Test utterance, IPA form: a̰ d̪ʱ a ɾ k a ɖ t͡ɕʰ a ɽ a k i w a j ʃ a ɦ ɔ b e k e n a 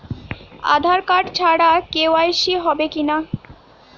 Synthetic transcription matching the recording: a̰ d̪ʱ a ɾ k a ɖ t͡ɕʰ a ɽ a k e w a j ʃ i ɦ ɔ b e k i n a